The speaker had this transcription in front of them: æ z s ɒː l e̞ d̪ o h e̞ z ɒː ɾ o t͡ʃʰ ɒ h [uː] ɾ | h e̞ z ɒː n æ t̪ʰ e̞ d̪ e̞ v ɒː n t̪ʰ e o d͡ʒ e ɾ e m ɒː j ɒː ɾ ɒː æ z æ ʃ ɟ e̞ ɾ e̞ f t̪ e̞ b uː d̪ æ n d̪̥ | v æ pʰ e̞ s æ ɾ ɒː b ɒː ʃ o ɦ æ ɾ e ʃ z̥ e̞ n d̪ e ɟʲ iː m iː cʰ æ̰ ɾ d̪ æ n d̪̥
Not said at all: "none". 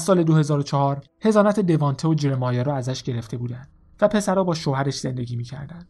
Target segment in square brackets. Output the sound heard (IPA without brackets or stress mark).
ɒː